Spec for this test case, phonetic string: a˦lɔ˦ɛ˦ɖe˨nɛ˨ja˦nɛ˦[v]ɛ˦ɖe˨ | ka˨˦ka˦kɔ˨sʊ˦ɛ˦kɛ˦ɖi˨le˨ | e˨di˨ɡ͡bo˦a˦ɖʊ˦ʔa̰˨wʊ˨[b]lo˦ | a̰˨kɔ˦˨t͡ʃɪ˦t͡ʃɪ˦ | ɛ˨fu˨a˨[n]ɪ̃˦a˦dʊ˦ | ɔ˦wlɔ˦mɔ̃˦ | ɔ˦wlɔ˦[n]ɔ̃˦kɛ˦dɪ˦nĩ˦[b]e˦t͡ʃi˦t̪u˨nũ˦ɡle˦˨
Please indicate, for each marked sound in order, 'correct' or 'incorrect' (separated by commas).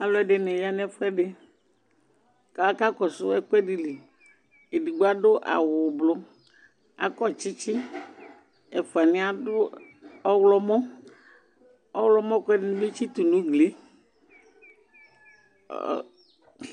incorrect, correct, correct, incorrect, correct